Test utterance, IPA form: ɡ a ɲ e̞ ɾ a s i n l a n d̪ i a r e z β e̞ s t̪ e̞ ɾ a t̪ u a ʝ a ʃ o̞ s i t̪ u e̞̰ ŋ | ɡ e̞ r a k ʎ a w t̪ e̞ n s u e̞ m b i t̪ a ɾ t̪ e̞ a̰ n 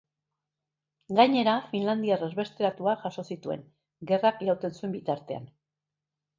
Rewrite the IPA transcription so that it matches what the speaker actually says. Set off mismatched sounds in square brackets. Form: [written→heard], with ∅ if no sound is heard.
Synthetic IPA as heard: ɡ a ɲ e̞ ɾ a [s→f] i n l a n d̪ i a r e z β e̞ s t̪ e̞ ɾ a t̪ u a ʝ a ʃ o̞ s i t̪ u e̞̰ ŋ | ɡ e̞ r a k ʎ a w t̪ e̞ n s u e̞ m b i t̪ a ɾ t̪ e̞ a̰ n